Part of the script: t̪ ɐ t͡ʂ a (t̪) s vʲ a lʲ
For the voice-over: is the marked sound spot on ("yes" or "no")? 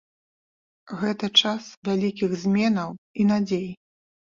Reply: no